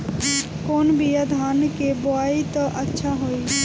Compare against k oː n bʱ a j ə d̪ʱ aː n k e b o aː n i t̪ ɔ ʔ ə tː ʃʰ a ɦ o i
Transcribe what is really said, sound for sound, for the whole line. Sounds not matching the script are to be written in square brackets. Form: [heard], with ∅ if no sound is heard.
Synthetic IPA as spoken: k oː n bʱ [i] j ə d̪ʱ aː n k e b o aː [∅] i t̪ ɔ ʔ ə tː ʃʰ a ɦ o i